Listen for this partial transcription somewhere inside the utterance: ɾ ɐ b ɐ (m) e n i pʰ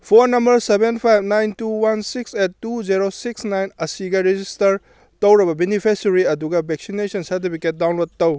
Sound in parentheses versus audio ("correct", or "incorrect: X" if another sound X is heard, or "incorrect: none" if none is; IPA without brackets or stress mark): incorrect: b